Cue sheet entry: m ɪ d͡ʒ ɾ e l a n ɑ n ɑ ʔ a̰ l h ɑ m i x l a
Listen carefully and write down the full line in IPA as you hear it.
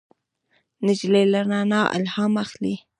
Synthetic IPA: n ɪ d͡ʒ l e l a n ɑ n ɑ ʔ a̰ l h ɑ m a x l i